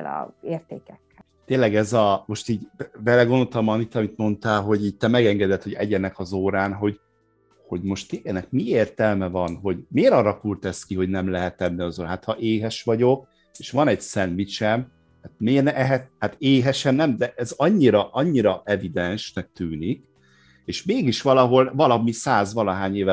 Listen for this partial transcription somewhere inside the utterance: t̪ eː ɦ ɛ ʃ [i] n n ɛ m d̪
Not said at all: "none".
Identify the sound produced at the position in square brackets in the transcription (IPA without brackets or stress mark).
ɛ